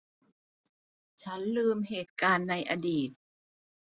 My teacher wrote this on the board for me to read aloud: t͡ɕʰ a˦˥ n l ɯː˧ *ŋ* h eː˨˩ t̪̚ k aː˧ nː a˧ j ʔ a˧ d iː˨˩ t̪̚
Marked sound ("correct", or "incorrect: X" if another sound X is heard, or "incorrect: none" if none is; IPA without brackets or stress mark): incorrect: m